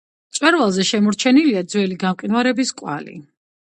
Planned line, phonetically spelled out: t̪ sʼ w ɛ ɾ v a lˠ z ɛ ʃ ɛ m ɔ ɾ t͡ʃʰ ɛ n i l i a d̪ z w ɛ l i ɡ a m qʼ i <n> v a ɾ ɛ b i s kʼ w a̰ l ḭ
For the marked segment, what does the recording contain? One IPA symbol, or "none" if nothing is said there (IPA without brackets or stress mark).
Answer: n